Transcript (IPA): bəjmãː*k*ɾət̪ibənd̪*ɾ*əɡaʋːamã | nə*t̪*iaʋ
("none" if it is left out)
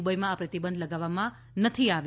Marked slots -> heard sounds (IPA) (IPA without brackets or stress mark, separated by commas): p, l, t̪ʰ